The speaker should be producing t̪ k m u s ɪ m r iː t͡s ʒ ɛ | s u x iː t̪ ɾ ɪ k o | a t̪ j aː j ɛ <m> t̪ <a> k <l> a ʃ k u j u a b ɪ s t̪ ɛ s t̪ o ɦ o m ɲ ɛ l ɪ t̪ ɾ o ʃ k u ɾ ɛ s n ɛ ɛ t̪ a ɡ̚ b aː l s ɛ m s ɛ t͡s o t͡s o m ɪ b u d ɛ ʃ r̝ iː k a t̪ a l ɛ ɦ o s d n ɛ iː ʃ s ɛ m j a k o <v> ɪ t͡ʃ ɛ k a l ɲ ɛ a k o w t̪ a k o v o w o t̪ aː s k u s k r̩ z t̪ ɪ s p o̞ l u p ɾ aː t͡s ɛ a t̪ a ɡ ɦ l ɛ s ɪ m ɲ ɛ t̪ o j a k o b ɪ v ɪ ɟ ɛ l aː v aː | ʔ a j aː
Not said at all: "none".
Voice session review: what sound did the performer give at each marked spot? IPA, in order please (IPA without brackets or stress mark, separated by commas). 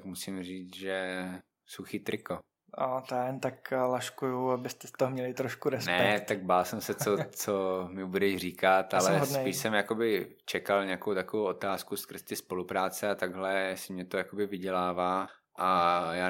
n, a, l, b